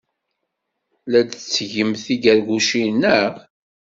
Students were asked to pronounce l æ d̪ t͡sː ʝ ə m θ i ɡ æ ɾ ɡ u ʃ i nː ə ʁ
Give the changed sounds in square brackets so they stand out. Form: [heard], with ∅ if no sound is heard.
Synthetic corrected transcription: l æ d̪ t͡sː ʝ ə m θ i ɡ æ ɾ ɡ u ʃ i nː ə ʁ